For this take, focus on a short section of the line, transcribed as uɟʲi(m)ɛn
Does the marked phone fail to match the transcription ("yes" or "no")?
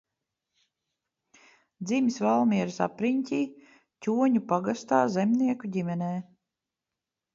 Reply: no